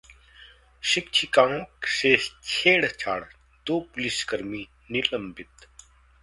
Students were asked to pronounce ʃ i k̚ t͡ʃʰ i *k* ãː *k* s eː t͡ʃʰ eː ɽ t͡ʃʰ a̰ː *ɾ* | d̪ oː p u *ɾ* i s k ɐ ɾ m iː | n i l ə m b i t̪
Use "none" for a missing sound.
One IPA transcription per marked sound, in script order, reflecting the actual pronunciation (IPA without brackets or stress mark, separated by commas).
k, k, ɽ, l